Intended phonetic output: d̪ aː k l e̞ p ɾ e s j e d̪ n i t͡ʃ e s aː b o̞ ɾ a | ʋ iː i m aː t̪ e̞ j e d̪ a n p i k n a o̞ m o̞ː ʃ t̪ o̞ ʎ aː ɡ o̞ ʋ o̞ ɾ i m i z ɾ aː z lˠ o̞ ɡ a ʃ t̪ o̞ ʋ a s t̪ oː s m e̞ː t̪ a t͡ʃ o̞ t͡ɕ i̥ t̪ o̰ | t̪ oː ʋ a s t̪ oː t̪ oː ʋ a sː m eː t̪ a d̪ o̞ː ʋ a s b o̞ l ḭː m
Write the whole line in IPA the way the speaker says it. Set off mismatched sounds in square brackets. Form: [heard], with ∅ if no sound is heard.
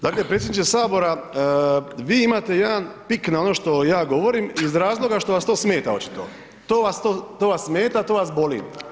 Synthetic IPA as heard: d̪ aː k l e̞ p ɾ e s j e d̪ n i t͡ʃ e s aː b o̞ ɾ a | ʋ iː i m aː t̪ e̞ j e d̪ a n p i k n a o̞ [n] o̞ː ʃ t̪ o̞ [j] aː ɡ o̞ ʋ o̞ ɾ i m i z ɾ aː z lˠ o̞ ɡ a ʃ t̪ o̞ ʋ a s t̪ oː s m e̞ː t̪ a [∅] o̞ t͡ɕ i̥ t̪ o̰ | t̪ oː ʋ a s t̪ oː t̪ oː ʋ a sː m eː t̪ a [t̪] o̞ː ʋ a s b o̞ l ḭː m